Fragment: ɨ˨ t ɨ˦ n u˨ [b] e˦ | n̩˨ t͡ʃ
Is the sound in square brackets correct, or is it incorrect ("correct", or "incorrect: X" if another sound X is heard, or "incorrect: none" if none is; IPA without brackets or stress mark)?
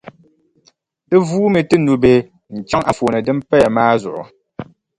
correct